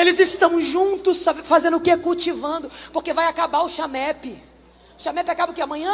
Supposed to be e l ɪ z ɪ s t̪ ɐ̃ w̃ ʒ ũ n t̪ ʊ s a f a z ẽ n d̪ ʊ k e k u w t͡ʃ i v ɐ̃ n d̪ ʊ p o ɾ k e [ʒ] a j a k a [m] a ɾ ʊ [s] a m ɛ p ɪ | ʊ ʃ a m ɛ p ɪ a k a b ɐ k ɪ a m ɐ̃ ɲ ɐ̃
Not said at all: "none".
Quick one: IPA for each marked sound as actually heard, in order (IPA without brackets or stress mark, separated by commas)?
v, b, ʃ